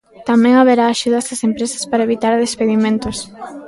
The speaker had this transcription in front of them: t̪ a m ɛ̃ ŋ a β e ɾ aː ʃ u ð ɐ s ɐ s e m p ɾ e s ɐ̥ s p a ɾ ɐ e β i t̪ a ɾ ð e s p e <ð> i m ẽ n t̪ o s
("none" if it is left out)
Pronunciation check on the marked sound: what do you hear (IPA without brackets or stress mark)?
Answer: ð